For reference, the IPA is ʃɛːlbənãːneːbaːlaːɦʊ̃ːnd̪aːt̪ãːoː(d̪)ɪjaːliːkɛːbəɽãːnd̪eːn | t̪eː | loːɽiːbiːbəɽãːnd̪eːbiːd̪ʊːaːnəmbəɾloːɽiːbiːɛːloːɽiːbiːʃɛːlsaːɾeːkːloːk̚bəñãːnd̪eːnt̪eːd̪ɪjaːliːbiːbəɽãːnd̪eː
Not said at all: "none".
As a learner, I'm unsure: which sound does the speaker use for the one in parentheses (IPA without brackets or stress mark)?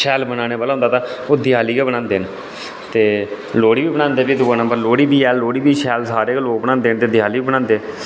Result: d̪